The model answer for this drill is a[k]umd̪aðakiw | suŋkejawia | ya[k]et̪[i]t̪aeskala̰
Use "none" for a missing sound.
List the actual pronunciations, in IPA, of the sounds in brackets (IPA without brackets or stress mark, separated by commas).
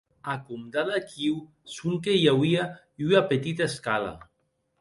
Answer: k, p, i